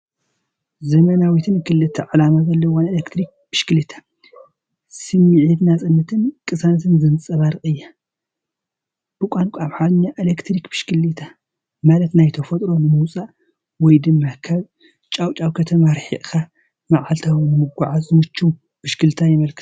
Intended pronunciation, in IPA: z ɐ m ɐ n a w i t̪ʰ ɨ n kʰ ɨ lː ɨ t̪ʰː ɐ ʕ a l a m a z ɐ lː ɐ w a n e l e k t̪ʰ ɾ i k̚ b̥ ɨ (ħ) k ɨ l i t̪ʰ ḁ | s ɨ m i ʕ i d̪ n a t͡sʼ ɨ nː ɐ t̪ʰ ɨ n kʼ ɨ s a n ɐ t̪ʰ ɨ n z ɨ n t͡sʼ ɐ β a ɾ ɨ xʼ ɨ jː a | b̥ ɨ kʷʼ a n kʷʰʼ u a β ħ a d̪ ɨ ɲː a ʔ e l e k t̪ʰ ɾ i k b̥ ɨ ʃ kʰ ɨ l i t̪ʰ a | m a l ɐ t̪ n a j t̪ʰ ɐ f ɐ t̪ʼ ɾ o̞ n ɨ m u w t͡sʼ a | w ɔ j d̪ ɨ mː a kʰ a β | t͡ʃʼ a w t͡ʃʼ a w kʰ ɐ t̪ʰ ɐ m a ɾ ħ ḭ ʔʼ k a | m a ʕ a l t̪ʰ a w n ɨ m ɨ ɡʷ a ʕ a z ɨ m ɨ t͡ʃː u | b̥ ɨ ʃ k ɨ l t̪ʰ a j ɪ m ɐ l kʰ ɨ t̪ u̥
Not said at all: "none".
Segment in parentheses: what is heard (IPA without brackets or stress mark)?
ʃ